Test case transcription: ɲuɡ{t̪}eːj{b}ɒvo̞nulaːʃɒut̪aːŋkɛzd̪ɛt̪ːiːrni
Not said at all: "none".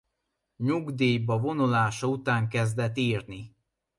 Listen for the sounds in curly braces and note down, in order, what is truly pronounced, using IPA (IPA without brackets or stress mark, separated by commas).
d̪, b